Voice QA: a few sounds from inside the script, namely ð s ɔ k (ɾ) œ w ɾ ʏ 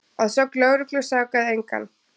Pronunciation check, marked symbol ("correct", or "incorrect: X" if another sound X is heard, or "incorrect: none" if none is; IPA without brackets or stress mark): incorrect: l